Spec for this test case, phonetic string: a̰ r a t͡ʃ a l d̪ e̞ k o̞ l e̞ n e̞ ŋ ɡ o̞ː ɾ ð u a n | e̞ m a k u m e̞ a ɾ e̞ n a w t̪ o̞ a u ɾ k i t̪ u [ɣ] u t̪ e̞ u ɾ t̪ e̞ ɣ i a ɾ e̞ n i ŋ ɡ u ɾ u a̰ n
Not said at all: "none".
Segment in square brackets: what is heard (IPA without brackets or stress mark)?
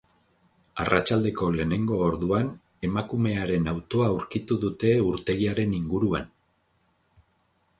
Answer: ð